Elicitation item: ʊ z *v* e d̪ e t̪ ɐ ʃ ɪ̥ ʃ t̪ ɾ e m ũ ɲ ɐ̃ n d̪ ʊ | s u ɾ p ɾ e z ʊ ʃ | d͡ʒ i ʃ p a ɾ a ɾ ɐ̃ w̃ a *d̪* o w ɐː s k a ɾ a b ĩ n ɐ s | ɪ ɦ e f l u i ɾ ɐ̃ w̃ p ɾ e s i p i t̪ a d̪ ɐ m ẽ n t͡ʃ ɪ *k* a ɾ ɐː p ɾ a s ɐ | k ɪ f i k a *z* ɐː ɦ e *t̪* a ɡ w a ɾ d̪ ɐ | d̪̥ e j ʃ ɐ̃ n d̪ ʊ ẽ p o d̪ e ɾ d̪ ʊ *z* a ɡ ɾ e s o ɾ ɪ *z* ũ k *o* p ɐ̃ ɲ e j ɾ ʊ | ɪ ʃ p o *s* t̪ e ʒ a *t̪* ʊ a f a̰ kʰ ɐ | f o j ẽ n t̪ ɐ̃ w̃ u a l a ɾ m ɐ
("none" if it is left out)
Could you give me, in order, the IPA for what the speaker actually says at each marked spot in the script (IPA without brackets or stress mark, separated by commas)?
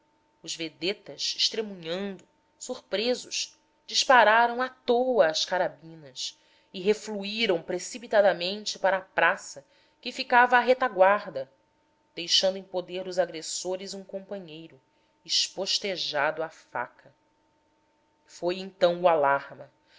v, t̪, p, v, t̪, z, z, õ, ʃ, d̪